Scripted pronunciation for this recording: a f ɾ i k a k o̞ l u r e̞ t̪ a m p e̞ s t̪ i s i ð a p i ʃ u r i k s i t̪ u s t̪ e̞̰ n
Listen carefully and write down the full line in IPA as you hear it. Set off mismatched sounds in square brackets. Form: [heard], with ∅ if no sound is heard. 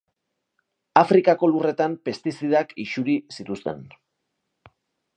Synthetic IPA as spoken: a f ɾ i k a k o̞ l u r e̞ t̪ a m p e̞ s t̪ i s i ð a [k] i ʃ u [ɾ] i [∅] s i t̪ u s t̪ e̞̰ n